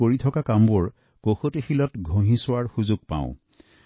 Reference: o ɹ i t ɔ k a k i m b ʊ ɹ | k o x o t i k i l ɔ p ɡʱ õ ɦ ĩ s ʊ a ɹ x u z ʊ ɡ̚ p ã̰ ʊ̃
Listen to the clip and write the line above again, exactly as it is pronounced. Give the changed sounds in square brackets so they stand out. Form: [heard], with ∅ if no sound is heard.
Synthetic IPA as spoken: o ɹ i [tʰ] ɔ k a k [a] m b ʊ ɹ | k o x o t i [x] i l ɔ [t] ɡʱ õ ɦ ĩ s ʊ a ɹ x u z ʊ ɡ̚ p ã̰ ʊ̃